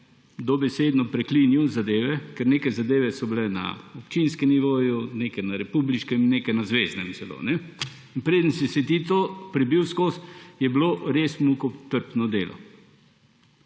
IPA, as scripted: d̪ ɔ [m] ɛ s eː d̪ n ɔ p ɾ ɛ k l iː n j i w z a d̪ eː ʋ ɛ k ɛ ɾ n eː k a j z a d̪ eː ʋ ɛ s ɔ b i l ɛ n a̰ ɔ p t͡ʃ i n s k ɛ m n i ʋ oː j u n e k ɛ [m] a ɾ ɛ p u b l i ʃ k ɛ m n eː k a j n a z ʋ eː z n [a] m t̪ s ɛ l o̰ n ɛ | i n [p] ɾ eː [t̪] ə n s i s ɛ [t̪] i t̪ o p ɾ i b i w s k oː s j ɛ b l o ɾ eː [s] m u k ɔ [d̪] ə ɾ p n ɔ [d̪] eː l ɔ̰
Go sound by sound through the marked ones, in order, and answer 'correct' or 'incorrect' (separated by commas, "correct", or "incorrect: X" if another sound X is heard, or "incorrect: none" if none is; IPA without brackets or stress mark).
incorrect: b, incorrect: n, incorrect: ɛ, correct, incorrect: d̪, correct, correct, incorrect: t̪, correct